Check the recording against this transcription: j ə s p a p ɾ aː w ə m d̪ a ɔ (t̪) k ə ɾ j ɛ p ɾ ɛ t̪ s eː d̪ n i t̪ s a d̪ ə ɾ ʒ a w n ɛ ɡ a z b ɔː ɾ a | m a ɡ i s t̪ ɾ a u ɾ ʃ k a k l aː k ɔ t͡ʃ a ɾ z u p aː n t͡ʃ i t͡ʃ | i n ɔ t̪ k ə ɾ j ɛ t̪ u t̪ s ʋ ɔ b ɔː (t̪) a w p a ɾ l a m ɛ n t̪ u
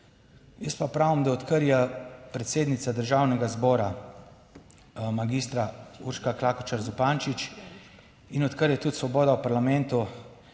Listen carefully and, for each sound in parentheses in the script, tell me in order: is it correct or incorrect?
correct, incorrect: d̪

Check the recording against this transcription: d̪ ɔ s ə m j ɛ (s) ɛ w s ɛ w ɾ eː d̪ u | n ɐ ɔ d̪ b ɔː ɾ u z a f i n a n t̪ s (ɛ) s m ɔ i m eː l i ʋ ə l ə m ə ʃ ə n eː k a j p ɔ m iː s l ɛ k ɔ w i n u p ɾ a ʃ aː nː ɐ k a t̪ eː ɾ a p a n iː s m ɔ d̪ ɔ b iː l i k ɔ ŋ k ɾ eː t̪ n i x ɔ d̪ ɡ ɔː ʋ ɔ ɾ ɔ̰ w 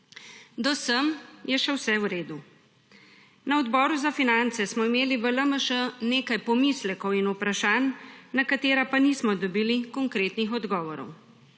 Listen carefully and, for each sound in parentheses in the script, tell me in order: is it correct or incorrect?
incorrect: ʃ, correct

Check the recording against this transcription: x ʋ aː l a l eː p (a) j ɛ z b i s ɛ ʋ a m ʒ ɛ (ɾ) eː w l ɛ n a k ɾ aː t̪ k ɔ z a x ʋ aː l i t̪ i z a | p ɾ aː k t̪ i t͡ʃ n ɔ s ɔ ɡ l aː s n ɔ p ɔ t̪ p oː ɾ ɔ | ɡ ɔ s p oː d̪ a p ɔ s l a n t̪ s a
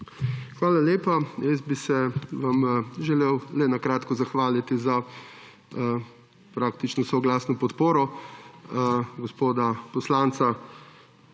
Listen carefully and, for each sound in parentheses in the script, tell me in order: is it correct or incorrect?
correct, incorrect: l

